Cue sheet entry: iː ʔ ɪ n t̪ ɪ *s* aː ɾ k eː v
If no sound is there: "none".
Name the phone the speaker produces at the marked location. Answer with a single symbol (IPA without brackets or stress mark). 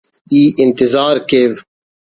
z